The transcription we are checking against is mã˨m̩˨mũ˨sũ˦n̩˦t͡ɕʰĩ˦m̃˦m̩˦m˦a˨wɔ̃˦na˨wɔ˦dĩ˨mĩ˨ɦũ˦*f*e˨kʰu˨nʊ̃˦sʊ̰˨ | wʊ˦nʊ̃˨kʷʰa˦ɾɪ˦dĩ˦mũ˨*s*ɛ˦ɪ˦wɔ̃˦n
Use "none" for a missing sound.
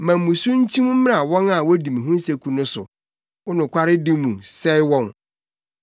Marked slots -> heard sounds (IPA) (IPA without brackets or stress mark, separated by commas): s, s